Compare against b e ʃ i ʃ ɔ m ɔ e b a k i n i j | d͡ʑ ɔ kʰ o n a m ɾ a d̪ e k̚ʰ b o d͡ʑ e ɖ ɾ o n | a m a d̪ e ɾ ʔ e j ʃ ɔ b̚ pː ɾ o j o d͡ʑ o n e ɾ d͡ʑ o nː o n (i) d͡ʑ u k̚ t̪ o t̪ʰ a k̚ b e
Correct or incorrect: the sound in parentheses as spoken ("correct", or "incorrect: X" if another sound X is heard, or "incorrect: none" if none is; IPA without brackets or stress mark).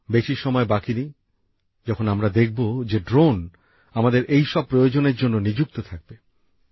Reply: correct